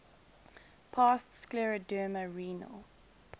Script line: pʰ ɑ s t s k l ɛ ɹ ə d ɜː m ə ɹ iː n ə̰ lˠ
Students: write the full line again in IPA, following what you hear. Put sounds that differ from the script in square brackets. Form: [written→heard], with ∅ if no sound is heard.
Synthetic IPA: pʰ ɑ s t s k l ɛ ɹ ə d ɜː m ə ɹ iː n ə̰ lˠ